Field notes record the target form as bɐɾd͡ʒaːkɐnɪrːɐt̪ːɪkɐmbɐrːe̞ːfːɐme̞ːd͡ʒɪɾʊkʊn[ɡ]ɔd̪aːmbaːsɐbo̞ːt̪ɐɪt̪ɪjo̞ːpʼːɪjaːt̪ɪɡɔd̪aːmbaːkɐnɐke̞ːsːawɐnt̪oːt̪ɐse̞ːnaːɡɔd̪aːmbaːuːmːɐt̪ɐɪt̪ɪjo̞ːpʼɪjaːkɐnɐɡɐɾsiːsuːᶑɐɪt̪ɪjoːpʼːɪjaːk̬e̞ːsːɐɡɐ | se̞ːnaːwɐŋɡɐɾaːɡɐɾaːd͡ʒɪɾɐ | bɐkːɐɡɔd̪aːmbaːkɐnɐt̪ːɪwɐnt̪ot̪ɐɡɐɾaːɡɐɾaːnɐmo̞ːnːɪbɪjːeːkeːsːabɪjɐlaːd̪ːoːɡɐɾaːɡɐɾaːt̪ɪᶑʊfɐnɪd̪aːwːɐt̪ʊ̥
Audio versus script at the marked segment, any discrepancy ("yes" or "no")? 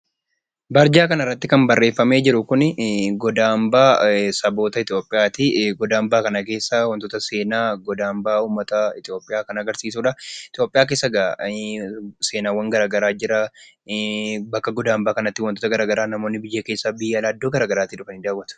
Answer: no